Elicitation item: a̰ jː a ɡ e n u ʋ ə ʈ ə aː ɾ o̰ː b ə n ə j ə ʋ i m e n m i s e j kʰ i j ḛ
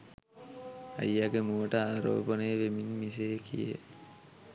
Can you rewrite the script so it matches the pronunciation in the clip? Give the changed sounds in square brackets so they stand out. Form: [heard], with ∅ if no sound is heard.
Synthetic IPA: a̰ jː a ɡ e [m] u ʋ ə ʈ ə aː ɾ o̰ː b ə n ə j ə ʋ [e] m [i] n m i s e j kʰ i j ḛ